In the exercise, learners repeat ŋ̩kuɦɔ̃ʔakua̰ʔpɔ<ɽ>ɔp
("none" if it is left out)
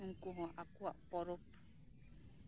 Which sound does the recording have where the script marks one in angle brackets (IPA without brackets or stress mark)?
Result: ɾ